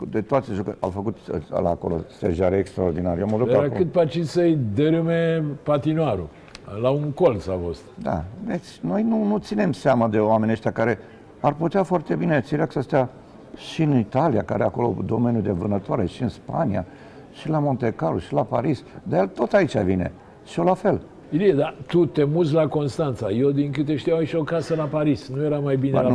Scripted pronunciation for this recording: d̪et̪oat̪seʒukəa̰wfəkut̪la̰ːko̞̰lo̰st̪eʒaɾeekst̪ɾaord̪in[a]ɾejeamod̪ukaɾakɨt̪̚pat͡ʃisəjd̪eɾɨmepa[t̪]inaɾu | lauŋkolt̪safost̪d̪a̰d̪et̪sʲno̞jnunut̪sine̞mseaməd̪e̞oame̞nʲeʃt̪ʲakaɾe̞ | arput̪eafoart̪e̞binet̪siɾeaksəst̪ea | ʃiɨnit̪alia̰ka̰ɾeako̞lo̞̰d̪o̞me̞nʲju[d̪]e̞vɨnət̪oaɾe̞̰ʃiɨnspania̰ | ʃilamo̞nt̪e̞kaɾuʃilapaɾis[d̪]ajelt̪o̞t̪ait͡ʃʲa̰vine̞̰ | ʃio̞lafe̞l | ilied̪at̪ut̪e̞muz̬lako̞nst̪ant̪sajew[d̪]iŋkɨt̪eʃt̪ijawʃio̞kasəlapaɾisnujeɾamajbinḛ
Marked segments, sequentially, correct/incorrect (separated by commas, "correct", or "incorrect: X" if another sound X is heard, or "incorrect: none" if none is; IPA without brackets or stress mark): correct, correct, correct, correct, correct